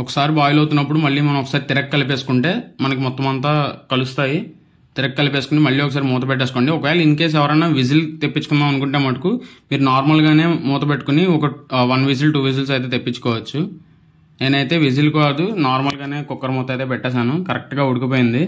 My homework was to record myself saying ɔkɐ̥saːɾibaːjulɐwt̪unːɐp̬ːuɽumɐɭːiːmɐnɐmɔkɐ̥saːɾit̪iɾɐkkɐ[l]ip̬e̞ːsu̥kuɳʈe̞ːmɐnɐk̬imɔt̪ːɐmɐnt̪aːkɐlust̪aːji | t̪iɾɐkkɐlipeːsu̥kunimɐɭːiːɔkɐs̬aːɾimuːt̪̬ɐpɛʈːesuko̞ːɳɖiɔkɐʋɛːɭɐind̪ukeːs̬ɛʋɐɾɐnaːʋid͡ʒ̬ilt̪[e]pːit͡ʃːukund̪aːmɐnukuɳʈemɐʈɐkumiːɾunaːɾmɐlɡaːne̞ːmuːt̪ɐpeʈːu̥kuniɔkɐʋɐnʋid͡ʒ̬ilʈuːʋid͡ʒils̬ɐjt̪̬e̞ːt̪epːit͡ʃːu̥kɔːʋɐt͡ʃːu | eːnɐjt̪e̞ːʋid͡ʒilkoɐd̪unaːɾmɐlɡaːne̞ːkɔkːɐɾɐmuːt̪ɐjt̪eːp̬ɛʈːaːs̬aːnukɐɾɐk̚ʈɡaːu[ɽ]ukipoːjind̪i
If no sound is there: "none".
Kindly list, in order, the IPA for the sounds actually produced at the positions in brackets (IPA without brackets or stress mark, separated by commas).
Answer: l, e, ɽ